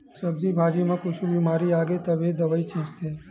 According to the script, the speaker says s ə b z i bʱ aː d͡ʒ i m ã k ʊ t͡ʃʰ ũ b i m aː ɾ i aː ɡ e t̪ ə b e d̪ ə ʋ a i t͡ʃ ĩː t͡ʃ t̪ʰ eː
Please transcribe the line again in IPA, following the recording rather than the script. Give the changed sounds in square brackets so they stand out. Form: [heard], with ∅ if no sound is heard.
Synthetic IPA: s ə b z i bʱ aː d͡ʒ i m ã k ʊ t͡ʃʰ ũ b i m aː ɾ i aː ɡ e t̪ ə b e d̪ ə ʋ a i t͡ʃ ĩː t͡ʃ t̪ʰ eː